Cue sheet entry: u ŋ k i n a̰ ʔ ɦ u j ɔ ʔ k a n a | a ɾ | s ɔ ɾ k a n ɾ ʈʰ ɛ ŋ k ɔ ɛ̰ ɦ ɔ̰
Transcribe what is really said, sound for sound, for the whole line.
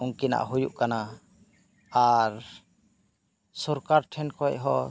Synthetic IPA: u ŋ k i n a̰ ʔ ɦ u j u ʔ k a n a | a ɾ | s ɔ ɾ k a ɾ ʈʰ ɛ n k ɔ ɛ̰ ɦ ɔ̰